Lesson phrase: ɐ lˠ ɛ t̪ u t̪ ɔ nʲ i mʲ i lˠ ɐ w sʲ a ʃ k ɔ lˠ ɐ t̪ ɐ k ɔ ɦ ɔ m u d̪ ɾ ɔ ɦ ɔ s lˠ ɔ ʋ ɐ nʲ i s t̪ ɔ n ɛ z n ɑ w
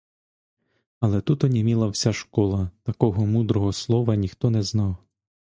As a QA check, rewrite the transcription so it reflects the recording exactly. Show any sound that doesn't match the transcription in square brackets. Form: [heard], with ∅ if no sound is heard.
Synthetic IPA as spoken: ɐ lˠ ɛ t̪ u t̪ ɔ nʲ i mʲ i lˠ ɐ w sʲ a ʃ k ɔ lˠ ɐ t̪ ɐ k ɔ ɦ ɔ m u d̪ ɾ ɔ ɦ ɔ s lˠ ɔ ʋ ɐ nʲ i [x] t̪ ɔ n ɛ z n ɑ w